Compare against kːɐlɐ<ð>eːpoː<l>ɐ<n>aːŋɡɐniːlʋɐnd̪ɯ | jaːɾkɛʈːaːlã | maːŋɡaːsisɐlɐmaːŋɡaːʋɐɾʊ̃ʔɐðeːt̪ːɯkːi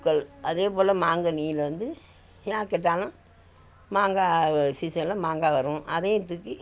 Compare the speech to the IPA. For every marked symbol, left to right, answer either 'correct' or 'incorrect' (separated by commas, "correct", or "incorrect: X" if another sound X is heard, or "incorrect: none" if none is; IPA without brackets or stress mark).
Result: correct, correct, incorrect: m